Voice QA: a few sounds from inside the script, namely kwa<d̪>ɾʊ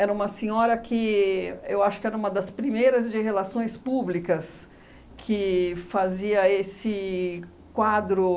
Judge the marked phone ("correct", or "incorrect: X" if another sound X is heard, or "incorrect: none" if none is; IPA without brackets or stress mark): correct